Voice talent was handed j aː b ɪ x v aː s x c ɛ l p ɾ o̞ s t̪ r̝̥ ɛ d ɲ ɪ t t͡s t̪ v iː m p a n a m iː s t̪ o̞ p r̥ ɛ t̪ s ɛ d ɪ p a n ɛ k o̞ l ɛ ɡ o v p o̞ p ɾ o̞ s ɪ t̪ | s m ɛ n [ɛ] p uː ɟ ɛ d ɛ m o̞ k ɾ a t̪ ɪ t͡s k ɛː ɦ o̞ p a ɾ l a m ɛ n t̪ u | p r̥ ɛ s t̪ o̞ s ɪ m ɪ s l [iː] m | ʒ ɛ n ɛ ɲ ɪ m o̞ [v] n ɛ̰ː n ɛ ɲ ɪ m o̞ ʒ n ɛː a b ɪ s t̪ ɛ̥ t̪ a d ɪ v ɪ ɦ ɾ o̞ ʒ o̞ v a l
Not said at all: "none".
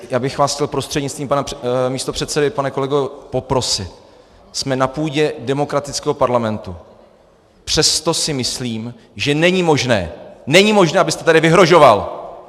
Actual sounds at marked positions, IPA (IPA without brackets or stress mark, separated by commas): a, iː, ʒ